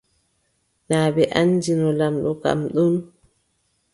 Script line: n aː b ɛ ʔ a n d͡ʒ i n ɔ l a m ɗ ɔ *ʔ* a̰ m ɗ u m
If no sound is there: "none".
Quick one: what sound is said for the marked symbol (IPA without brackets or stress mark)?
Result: k